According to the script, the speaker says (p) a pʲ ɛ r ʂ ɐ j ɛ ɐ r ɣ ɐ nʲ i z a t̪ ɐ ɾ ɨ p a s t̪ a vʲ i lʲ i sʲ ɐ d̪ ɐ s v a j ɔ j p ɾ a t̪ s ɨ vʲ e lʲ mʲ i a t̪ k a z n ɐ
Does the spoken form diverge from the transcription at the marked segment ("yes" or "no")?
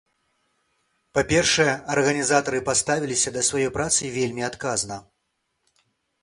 no